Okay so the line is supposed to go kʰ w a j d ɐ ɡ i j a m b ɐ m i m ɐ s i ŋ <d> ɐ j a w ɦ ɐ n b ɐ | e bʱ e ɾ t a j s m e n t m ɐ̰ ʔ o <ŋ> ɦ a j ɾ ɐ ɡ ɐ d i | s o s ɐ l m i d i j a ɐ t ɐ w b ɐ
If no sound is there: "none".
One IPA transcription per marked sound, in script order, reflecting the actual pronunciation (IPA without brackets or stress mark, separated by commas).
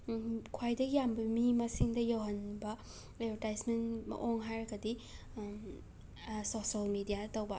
d, ŋ